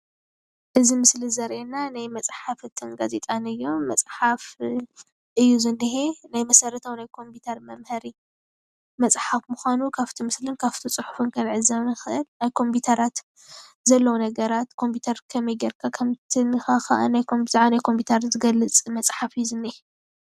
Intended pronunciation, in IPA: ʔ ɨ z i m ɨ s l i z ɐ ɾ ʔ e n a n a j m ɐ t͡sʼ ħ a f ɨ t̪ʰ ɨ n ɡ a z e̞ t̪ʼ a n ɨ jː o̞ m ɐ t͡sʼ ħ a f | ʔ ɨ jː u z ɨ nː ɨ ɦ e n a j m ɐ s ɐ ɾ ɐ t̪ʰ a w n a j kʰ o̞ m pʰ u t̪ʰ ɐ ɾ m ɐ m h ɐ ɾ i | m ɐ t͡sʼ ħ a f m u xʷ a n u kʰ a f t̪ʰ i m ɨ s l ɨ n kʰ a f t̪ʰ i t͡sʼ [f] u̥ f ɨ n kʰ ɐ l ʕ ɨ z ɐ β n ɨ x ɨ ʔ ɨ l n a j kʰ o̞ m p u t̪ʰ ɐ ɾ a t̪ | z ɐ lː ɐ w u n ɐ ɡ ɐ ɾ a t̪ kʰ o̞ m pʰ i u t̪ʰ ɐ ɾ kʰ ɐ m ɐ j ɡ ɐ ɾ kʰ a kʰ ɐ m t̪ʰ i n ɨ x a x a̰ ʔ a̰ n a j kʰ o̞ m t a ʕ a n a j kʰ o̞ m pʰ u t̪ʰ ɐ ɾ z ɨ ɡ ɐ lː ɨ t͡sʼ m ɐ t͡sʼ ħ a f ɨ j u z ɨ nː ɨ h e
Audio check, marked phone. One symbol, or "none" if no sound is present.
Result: ħ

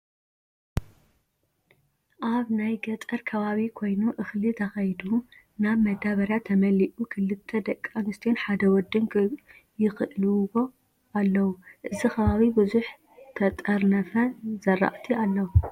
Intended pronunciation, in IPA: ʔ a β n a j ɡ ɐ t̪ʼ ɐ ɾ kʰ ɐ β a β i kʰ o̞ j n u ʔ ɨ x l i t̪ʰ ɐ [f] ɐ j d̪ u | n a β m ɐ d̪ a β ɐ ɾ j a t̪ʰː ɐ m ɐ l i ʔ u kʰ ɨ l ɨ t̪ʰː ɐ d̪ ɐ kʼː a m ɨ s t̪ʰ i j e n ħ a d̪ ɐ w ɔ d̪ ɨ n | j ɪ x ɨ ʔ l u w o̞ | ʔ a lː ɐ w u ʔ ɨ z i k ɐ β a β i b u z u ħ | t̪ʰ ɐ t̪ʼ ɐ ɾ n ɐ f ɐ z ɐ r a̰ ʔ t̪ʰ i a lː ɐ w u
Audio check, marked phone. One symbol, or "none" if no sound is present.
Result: x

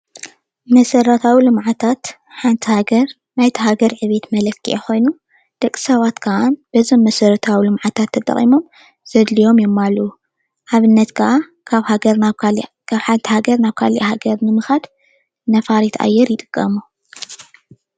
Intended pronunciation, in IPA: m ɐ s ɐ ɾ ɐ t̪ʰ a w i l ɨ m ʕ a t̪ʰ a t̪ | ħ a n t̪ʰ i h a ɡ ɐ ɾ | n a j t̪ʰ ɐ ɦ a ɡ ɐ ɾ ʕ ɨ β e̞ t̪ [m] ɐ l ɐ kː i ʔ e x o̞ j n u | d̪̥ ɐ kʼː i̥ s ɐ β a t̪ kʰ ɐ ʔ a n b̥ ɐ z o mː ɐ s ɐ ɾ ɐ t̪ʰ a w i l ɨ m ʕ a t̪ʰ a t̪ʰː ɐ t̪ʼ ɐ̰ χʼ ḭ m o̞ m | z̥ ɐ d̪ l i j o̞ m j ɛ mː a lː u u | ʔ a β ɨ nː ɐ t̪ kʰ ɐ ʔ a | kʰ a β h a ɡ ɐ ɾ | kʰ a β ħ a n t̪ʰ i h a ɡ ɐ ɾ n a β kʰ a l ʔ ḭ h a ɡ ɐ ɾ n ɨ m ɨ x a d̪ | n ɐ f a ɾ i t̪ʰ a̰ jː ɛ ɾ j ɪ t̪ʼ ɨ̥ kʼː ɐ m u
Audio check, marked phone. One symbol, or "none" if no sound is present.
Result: m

